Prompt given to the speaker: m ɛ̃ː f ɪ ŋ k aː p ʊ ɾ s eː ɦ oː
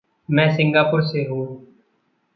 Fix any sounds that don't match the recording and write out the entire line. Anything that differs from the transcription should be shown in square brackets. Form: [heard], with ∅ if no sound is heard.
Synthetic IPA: m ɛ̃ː [s] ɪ ŋ [ɡ] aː p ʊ ɾ s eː ɦ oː